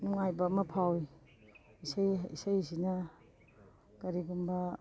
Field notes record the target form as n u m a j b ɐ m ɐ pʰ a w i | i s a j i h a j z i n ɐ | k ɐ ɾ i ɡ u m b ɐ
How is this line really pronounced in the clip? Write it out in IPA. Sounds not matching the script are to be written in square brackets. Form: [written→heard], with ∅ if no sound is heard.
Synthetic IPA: n u [m→ŋ] a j b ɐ m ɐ pʰ a w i | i s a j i [h→s] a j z i n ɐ | k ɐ ɾ i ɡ u m b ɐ